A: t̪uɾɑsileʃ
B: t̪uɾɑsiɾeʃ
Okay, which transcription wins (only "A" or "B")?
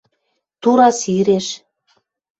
B